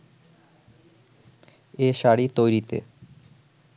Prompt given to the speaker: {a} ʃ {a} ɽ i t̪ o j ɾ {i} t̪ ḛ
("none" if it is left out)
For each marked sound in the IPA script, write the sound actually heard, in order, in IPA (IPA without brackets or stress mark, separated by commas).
e, a, i